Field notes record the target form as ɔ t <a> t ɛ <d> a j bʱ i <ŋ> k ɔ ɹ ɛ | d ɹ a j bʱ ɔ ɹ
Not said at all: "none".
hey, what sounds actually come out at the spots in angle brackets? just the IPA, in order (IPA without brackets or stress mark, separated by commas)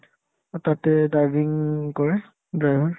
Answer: a, d, ŋ